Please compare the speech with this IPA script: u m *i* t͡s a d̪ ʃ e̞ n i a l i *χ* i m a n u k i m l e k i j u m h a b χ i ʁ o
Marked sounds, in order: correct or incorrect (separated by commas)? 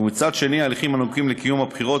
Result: correct, correct